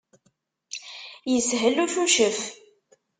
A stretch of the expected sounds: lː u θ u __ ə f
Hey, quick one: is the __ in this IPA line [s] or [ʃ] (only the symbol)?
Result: ʃ